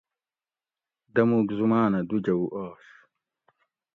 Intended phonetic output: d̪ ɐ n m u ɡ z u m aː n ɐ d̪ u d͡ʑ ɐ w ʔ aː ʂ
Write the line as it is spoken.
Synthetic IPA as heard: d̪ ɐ m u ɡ z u m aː n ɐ d̪ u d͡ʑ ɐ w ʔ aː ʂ